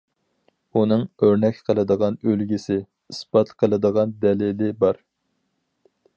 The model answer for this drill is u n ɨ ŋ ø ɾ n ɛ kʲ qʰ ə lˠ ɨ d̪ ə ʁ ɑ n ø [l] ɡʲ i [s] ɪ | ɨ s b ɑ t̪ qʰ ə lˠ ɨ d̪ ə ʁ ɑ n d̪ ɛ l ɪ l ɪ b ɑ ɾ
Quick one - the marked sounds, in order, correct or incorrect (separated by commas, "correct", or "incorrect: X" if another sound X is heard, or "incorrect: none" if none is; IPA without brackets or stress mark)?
correct, correct